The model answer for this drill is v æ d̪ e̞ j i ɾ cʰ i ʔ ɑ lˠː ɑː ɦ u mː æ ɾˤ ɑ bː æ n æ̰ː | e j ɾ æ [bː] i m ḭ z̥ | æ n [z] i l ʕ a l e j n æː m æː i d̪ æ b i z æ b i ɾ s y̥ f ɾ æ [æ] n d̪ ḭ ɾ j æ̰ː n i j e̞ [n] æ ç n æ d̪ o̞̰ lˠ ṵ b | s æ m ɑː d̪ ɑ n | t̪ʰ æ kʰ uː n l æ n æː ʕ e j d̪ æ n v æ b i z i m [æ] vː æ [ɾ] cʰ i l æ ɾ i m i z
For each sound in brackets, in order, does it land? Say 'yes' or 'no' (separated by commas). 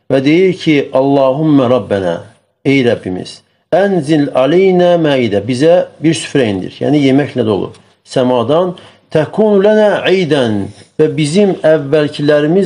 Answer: yes, yes, no, no, yes, no